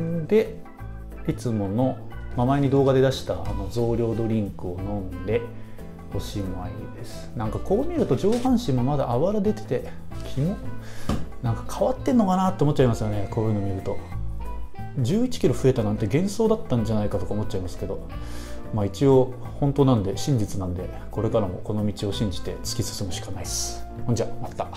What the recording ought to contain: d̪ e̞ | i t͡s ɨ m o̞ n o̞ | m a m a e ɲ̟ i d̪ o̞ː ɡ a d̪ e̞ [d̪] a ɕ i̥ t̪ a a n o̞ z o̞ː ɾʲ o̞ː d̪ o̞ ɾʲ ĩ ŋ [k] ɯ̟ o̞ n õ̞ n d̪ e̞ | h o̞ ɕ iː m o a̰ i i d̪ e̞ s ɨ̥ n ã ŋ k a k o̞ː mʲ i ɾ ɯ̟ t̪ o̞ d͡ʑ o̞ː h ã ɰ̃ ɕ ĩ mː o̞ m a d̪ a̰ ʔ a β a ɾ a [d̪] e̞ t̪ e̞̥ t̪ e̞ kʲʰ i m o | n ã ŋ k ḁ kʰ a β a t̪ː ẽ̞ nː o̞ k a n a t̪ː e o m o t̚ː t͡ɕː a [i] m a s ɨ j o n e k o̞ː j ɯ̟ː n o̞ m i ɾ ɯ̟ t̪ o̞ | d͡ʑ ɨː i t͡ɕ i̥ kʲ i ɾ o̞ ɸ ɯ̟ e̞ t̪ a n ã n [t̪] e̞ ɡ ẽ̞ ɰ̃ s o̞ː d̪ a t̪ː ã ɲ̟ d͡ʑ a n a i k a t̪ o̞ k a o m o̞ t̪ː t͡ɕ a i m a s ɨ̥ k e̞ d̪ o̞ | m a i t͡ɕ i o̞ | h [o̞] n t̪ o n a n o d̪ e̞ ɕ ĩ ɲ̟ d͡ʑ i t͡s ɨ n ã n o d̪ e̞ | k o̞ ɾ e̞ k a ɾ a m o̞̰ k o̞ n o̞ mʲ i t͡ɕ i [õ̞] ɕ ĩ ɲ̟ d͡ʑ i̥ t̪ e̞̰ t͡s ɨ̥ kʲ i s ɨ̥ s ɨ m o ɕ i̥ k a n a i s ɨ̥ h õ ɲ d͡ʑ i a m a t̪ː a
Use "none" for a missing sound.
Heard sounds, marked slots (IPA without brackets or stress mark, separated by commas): d̪, k, d̪, i, t̪, õ̞, o̞